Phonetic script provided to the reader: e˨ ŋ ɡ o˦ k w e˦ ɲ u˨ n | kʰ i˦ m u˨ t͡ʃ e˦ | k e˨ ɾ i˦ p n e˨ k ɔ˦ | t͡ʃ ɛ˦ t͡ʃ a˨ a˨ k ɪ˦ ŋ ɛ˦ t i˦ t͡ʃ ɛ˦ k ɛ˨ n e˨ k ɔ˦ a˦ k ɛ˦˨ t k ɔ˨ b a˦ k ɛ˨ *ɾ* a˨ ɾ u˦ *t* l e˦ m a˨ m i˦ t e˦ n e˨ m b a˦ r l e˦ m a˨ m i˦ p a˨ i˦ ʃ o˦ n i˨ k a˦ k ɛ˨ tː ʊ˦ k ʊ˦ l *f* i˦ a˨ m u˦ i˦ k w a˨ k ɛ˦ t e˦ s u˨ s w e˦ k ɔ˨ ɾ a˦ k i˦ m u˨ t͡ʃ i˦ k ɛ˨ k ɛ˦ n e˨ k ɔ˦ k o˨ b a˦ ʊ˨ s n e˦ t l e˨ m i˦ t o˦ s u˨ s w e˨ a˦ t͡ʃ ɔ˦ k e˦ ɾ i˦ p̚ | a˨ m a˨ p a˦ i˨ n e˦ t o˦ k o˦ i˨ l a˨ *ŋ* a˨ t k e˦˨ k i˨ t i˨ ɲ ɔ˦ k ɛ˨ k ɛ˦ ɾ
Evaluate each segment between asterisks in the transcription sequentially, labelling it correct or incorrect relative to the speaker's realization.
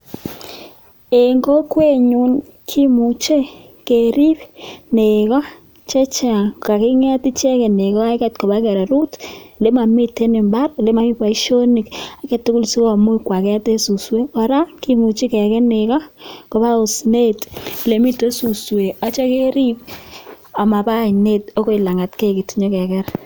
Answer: correct, correct, incorrect: s, correct

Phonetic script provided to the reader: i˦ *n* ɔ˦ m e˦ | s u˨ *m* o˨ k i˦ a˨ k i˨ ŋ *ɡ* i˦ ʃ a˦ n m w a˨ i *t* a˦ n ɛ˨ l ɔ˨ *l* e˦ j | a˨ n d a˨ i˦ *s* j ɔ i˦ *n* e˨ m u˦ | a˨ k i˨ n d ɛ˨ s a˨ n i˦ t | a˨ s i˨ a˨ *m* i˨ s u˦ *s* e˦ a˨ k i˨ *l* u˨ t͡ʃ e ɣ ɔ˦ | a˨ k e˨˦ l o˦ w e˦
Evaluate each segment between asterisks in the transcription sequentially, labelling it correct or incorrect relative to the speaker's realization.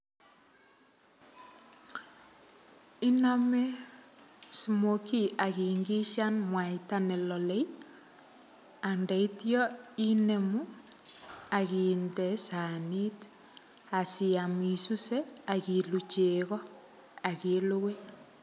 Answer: correct, correct, correct, correct, correct, incorrect: t, correct, correct, correct, correct

